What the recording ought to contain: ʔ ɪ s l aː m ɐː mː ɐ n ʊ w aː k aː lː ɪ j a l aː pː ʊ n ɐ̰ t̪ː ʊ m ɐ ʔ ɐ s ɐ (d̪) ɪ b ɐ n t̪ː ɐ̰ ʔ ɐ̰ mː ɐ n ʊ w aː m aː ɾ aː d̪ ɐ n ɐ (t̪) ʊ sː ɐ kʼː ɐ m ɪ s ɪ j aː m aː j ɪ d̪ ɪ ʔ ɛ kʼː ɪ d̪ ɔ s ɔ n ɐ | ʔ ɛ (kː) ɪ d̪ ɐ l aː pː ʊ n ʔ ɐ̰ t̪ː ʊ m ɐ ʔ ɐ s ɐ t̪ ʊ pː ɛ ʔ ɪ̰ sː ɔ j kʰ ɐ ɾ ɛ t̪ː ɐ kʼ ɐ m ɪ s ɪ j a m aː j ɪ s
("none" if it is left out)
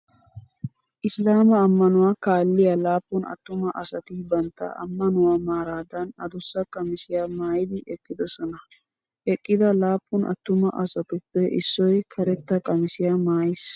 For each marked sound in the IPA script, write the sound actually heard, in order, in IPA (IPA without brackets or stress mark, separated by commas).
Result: t̪, d̪, kʼː